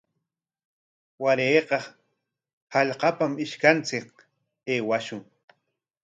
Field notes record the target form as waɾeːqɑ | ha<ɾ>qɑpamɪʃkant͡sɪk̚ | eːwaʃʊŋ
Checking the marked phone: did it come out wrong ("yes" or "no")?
yes